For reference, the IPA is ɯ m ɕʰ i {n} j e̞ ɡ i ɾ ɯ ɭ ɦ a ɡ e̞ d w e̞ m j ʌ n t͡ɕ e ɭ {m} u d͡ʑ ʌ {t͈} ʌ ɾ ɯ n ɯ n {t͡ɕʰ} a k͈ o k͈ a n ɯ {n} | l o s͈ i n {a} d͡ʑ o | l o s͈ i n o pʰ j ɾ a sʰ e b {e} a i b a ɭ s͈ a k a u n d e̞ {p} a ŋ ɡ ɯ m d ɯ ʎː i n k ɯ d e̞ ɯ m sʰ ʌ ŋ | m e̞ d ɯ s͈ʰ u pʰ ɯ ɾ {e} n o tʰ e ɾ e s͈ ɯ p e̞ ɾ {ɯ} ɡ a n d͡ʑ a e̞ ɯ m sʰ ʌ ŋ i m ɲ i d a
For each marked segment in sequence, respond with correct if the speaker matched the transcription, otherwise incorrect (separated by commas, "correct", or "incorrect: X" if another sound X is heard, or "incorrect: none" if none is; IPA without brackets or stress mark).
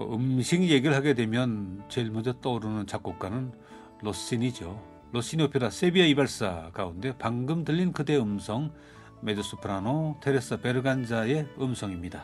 incorrect: ŋ, correct, correct, incorrect: t͡ɕ, correct, incorrect: i, incorrect: i, correct, incorrect: a, correct